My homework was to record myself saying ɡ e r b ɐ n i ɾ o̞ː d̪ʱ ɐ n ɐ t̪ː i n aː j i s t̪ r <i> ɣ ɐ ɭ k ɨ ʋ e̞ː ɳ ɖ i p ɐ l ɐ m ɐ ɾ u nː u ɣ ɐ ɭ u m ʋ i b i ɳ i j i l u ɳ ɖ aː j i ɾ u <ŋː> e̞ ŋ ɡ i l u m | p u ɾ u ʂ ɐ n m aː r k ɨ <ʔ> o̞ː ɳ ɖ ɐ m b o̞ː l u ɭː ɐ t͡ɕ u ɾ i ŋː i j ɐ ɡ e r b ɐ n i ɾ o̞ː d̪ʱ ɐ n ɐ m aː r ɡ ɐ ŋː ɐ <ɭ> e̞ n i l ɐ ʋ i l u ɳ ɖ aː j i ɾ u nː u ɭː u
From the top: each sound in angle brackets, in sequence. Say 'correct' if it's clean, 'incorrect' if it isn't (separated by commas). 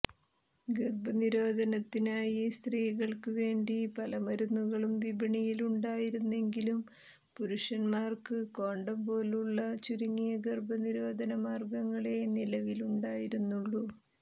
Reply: incorrect, incorrect, incorrect, correct